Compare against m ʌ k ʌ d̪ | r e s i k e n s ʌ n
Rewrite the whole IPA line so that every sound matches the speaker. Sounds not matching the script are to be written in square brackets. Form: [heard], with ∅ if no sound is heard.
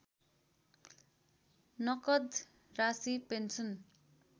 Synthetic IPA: [n] ʌ k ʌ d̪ | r [a] s i [p] e n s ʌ n